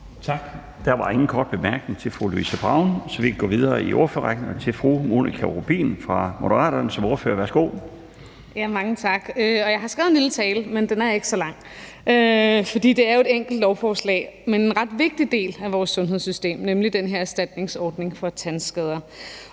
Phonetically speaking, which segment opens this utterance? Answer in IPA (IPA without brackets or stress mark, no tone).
t͡sʰ